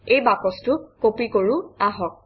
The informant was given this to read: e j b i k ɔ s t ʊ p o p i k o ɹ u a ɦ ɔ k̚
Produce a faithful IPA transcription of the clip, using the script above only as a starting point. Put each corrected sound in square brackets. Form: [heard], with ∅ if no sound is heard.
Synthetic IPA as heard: e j b [a] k ɔ s t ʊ [k] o p i k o ɹ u a ɦ ɔ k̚